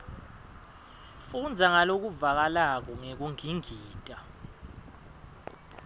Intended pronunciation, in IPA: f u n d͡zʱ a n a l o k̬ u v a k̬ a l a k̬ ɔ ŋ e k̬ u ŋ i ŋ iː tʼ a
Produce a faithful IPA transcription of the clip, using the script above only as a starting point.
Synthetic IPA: f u n d͡zʱ a ŋ a l o k̬ u v a k̬ a l a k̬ ɔ ŋ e k̬ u ŋ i ŋ iː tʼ a

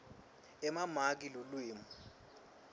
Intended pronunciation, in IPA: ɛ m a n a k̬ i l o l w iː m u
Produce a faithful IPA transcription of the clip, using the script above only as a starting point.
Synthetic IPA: ɛ m a m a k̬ i l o l w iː m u

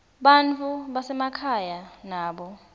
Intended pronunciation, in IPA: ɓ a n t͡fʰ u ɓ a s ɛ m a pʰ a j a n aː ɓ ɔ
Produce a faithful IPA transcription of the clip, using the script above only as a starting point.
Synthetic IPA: ɓ a n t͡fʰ u ɓ a s ɛ m a kʰ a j a n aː ɓ ɔ

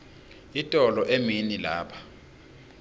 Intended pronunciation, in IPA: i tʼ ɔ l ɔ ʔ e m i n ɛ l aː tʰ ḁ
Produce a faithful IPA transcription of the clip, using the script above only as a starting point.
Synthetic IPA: i tʼ ɔ l ɔ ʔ e m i n i l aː pʰ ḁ

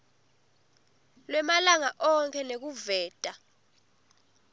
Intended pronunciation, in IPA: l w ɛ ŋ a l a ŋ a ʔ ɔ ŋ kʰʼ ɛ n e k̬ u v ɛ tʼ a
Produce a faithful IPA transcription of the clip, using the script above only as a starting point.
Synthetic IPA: l w ɛ m a l a ŋ a ʔ ɔ ŋ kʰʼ ɛ n e k̬ u v ɛː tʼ a

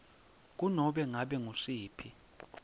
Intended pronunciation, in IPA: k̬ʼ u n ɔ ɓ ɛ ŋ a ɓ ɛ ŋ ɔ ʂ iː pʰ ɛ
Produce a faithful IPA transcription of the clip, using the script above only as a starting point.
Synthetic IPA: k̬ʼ u n ɔ ɓ ɛ ŋ a ɓ ɛ ŋ u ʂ iː pʰ i

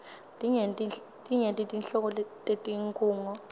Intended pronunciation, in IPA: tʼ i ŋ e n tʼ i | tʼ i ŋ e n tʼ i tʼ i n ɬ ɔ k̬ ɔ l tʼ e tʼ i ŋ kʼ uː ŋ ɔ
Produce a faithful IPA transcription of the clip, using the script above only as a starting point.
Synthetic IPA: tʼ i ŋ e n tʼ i | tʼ i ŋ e n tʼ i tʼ i n ɬ ɔ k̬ ɔ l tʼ e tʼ i ŋ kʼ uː ŋ ɔ

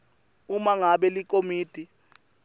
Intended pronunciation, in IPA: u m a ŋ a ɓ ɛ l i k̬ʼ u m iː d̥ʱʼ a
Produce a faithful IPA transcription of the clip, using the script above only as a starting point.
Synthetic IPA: u m a ŋ a ɓ ɛ l i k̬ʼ o m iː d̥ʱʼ i

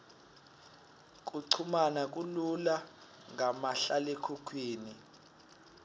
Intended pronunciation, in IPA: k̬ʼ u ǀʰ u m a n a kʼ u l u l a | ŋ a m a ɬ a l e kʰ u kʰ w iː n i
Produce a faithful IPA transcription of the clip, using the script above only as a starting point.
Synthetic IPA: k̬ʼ u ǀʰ u m a n a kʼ u l u l a | ŋ a m a ɬ a l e kʰ u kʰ w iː n i

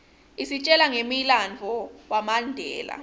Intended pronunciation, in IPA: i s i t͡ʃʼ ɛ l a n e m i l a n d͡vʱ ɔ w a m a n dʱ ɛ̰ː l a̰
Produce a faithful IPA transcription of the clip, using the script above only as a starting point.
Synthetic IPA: i s i t͡ʃʼ ɛ l a ŋ e m i l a n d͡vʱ ɔ w a m a n dʱ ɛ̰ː l a̰

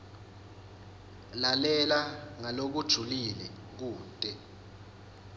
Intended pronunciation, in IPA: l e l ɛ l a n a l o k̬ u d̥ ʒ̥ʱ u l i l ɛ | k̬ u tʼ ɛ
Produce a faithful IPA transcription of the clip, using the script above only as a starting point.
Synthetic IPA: l a l ɛ l a ŋ a l o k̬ u d̥ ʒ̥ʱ u l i l ɛ | k̬ uː tʼ ɛ

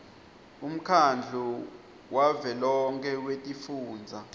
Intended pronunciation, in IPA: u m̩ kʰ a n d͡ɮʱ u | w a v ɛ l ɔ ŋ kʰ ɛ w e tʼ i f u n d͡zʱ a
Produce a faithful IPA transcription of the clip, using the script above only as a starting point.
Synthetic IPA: u m̩ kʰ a n d͡ɮʱ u | w a v ɛ l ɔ ŋ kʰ ɛ w e tʼ i f uː n d͡zʱ a

